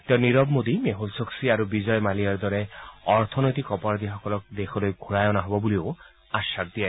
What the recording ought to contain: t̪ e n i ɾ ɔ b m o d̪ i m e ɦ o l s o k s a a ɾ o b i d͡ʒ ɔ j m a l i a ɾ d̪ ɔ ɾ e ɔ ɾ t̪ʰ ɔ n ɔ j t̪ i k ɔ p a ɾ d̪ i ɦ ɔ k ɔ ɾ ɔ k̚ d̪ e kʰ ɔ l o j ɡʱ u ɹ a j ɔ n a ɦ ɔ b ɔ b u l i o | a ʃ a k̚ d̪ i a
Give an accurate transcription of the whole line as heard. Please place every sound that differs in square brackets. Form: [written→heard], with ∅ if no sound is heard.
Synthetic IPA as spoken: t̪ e n i ɾ ɔ b m o d̪ i m e ɦ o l s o k s [a→i] a ɾ [o→u] b i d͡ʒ ɔ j m a l i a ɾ d̪ ɔ ɾ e ɔ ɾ t̪ʰ ɔ n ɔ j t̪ i k ɔ p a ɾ d̪ i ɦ ɔ k ɔ [ɾ→l] ɔ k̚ d̪ e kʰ ɔ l o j ɡʱ u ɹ a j ɔ n a ɦ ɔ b ɔ b u l i o | a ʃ a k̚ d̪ i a